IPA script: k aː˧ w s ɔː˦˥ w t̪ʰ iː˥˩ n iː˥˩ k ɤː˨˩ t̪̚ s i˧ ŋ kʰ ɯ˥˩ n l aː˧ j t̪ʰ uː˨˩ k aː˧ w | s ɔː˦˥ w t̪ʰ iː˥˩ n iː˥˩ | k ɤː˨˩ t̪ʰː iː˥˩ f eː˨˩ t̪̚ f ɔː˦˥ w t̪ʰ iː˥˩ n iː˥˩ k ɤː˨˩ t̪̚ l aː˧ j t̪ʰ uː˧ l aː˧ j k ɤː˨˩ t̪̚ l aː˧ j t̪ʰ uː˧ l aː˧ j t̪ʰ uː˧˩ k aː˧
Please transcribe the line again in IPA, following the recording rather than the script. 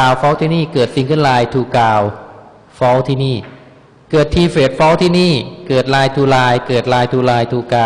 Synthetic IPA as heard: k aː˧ w f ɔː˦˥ w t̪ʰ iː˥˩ n iː˥˩ k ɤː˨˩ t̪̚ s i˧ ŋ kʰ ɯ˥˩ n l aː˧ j t̪ʰ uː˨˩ k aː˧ w | f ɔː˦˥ w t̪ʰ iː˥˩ n iː˥˩ | k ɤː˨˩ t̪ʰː iː˧ f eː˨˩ t̪̚ f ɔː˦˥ w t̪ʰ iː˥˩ n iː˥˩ k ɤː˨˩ t̪̚ l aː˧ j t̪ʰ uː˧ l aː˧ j k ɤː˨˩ t̪̚ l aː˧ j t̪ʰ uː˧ l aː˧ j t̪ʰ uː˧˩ k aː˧